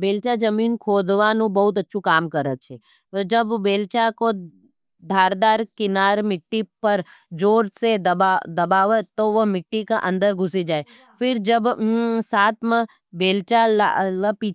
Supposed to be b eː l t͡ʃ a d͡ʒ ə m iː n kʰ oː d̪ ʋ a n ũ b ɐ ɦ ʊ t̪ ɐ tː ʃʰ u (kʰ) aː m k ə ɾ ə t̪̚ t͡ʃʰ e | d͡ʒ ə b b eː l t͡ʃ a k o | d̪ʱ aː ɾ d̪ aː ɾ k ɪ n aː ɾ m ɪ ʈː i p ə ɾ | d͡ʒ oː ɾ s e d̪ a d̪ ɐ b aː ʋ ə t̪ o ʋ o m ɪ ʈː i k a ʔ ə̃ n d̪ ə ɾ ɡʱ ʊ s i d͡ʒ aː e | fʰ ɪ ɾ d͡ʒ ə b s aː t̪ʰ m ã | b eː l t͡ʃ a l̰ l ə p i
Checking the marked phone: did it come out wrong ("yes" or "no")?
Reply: yes